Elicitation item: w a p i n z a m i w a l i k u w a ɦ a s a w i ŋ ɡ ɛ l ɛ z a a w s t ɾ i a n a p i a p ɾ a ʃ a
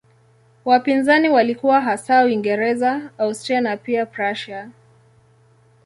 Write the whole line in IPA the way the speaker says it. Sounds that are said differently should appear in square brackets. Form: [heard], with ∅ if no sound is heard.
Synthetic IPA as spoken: w a p i n z a [n] i w a l i k u w a ɦ a s a w i ŋ ɡ ɛ [ɾ] ɛ z a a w s t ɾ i a n a p i a p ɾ a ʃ a